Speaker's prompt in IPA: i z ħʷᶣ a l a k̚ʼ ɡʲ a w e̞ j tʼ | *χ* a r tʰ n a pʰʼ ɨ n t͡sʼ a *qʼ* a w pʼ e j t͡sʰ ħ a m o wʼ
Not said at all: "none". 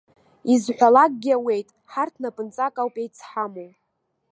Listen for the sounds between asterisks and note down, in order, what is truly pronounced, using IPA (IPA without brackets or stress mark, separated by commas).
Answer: ħ, kʼ